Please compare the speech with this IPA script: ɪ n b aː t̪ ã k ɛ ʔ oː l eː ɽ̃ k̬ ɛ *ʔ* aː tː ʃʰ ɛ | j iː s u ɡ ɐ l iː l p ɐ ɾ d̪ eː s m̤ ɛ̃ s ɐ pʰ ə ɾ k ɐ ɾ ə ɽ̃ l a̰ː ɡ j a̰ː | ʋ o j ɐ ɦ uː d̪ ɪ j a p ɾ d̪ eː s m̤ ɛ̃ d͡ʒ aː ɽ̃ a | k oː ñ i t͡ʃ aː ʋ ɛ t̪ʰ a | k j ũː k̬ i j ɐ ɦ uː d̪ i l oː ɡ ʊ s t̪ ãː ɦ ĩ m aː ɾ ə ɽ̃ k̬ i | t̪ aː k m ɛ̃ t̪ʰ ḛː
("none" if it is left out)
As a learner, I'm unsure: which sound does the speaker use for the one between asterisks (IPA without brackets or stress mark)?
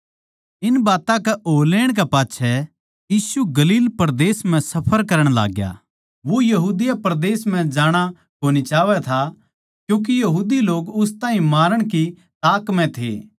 p